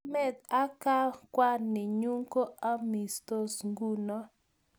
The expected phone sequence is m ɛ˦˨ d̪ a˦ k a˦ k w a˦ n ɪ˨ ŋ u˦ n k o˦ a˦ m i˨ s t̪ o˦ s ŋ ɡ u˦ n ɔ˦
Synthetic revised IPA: m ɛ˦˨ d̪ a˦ k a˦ k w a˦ n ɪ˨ ɲ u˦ ŋ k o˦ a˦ m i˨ s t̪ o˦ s ŋ ɡ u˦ n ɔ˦